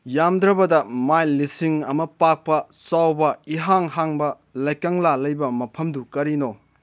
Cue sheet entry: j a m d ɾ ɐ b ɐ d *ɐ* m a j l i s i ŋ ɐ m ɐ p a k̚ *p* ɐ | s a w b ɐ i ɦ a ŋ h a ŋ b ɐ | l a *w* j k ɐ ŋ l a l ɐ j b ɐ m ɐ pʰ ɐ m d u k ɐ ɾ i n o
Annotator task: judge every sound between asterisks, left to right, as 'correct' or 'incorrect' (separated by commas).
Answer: correct, correct, incorrect